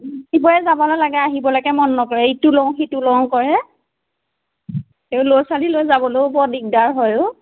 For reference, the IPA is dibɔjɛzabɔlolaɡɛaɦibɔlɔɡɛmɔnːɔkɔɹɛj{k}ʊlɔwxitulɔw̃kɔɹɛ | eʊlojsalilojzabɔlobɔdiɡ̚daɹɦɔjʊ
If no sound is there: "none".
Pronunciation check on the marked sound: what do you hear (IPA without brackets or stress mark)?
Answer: t